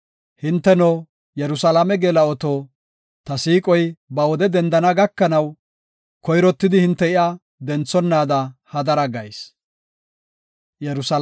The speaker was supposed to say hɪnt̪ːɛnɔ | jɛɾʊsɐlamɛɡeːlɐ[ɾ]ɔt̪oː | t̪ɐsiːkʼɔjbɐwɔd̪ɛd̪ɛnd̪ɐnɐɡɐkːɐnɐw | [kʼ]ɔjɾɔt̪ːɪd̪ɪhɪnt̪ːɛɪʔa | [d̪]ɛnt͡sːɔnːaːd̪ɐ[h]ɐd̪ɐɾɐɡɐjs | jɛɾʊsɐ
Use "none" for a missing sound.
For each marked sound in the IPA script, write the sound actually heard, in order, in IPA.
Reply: none, k, d̪, h

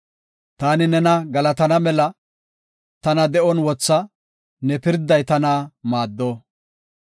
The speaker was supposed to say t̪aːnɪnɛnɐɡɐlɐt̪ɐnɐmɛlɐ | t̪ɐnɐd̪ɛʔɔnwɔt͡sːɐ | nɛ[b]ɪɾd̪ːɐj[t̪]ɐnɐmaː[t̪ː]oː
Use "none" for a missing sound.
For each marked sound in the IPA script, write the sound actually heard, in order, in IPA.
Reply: p, t̪, d̪ː

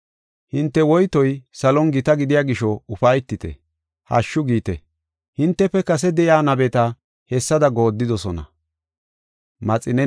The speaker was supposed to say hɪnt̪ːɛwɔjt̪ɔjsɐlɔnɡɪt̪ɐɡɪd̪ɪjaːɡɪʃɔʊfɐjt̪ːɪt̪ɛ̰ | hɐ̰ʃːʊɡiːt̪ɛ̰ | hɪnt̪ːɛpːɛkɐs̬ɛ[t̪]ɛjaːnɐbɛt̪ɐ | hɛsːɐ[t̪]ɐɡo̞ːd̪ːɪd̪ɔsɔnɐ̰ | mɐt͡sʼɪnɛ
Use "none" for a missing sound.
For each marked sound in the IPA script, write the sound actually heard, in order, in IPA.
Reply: d̪, d̪

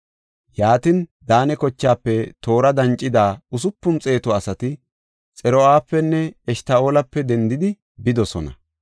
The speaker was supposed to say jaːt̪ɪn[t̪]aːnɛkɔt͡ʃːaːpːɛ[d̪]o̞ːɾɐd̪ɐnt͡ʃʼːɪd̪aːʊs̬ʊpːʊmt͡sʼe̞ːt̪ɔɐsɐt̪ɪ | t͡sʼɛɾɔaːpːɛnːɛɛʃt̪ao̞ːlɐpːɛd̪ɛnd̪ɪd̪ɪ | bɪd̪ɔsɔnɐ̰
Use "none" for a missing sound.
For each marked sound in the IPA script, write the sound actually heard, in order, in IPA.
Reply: d̪, t̪

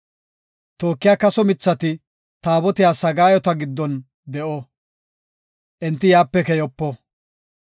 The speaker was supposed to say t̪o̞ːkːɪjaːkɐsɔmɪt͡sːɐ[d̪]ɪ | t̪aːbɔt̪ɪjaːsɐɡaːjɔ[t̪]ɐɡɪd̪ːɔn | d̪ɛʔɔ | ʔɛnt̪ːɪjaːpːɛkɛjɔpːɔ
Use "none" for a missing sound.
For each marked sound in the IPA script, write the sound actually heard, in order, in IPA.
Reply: t̪, t̪

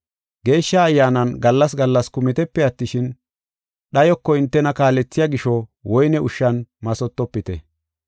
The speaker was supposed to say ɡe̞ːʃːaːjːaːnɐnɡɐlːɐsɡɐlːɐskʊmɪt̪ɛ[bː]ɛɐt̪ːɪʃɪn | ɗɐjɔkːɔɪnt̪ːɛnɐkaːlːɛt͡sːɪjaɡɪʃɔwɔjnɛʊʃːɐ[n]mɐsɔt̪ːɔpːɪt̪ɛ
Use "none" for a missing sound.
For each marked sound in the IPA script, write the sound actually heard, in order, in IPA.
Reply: pː, n

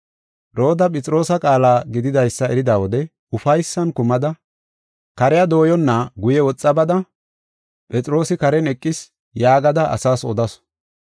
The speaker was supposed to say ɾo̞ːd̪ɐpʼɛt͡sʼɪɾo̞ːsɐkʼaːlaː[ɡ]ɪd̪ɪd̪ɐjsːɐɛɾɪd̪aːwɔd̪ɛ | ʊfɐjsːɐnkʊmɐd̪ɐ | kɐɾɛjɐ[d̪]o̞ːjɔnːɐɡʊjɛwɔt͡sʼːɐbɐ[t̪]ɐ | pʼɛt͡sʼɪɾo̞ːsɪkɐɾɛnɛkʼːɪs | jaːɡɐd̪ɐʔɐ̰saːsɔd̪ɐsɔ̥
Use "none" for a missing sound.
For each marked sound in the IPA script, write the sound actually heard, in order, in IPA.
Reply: ɡ, d̪, d̪

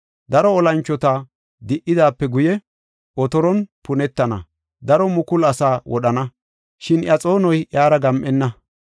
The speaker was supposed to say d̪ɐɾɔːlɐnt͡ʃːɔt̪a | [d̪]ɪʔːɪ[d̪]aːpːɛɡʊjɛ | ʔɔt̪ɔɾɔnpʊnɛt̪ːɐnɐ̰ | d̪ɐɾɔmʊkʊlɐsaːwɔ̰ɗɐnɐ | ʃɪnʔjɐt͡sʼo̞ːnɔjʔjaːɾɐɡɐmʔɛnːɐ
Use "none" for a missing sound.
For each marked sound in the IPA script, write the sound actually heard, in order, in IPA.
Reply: d̪, d̪

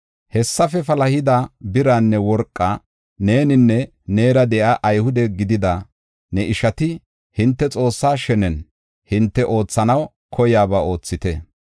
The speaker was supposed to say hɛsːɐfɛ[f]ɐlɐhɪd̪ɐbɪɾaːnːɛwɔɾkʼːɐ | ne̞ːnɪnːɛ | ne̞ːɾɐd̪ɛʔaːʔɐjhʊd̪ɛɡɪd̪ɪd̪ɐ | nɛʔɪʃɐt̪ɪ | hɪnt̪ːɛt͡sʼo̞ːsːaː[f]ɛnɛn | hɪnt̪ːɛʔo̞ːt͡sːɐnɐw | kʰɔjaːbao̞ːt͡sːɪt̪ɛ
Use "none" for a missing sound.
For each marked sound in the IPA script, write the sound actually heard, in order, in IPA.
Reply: f, ʃ

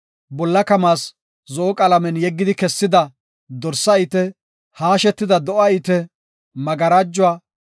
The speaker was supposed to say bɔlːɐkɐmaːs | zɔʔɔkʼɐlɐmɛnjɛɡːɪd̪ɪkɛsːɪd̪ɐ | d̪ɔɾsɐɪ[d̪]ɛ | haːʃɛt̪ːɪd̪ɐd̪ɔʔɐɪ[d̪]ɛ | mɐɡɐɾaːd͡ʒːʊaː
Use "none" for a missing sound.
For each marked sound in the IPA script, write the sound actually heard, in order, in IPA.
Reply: t̪, t̪

